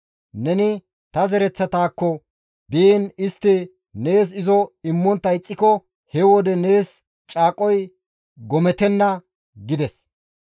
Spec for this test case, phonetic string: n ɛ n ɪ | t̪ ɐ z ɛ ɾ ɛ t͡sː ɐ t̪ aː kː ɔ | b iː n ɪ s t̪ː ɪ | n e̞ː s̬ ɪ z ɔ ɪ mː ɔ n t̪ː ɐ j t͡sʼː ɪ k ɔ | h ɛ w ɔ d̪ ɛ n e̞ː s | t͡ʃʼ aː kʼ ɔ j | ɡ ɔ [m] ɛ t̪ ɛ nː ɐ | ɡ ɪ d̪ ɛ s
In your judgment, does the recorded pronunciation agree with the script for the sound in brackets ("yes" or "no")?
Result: yes